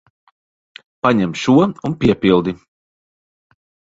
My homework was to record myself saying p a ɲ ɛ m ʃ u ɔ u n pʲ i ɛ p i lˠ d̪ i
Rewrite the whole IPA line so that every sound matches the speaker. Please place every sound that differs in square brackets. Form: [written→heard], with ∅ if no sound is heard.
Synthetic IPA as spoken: p a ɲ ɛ m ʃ u ɔ u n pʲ i ɛ p i lˠ d̪ i